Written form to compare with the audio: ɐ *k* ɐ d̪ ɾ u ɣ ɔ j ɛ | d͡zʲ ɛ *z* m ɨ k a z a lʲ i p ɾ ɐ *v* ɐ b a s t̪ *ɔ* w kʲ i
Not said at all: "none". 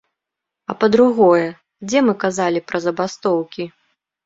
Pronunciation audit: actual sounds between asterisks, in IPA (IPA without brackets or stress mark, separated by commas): p, none, z, ɔ